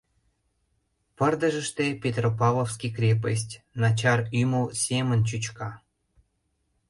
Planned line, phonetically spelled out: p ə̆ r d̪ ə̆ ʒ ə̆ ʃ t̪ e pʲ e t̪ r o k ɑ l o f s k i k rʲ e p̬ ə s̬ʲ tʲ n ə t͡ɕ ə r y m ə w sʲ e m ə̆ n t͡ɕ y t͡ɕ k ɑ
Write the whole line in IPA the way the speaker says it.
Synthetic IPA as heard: p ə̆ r d̪ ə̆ ʒ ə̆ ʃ t̪ e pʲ e t̪ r o p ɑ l o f s k i k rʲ e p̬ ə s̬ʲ tʲ n ɑ t͡ɕ ɑ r y m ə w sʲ e m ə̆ n t͡ɕ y t͡ɕ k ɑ